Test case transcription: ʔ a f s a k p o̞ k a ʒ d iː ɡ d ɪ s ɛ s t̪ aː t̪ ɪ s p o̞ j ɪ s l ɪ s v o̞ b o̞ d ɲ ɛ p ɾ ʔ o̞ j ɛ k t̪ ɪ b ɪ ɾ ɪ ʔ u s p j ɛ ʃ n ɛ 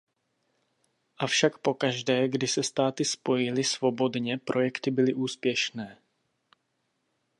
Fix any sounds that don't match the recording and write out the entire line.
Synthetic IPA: ʔ a f ʃ a k p o̞ k a ʒ d ɛː ɡ d ɪ s ɛ s t̪ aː t̪ ɪ s p o̞ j ɪ l ɪ s v o̞ b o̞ d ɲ ɛ p ɾ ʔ o̞ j ɛ k t̪ ɪ b ɪ l ɪ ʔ uː s p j ɛ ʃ n ɛː